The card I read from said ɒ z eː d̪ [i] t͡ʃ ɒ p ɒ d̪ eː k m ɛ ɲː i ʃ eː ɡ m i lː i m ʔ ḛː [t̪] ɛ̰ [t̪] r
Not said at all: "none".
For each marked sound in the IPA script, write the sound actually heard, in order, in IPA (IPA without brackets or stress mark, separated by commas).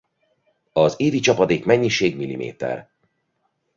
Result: i, t̪, none